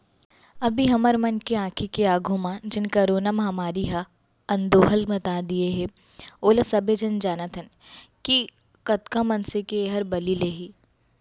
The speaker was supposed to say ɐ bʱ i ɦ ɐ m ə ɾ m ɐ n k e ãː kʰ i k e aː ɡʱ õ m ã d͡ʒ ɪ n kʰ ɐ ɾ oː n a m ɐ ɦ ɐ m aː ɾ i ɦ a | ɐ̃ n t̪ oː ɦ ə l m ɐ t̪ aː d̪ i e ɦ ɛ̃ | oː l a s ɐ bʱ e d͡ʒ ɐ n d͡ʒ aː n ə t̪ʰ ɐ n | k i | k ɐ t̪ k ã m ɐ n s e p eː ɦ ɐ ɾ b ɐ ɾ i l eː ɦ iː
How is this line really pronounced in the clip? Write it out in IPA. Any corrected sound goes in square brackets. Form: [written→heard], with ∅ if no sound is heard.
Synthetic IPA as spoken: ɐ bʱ i ɦ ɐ m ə ɾ m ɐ n k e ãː kʰ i k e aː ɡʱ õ m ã d͡ʒ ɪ n [kʰ→k] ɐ ɾ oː n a m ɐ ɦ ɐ m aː ɾ i ɦ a | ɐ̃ n [t̪→d̪] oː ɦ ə l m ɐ t̪ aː d̪ i e ɦ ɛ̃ | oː l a s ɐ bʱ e d͡ʒ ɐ n d͡ʒ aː n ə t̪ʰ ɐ n | k i | k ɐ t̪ k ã m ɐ n s e [p→k] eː ɦ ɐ ɾ b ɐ [ɾ→l] i l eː ɦ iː